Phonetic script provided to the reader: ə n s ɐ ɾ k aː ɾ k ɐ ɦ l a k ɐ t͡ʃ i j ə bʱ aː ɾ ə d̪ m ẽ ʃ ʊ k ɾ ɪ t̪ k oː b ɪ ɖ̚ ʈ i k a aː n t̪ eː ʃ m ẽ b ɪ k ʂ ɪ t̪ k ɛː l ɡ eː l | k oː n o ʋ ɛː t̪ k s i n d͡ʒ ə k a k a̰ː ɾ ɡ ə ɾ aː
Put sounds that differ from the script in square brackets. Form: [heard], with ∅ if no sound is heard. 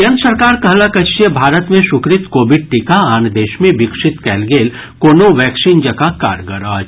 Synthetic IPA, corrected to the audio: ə n s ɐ ɾ k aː ɾ k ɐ ɦ l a k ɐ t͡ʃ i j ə bʱ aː ɾ ə [t̪] m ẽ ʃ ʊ k ɾ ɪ t̪ k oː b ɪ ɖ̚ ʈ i k a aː n [d̪] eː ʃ m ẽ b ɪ k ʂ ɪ t̪ k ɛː l ɡ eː l | k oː n o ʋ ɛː [∅] k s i n d͡ʒ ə k a k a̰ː ɾ ɡ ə ɾ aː